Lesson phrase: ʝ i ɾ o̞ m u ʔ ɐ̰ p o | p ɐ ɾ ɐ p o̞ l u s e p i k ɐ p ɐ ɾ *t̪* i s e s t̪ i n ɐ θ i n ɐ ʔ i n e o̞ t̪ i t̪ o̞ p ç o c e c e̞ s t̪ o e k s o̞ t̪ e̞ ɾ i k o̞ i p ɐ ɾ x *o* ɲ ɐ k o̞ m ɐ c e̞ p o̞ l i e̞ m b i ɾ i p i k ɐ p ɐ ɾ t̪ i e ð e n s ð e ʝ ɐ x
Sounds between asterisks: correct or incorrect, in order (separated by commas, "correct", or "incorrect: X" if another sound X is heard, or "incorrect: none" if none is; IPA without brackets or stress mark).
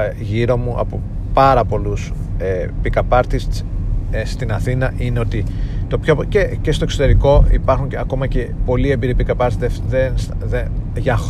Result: correct, incorrect: u